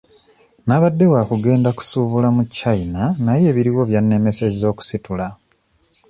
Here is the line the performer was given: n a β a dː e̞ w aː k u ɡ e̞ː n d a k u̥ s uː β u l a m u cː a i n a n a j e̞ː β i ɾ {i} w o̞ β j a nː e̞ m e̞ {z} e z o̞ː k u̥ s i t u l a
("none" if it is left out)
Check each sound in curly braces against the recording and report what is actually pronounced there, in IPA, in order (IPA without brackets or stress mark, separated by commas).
i, s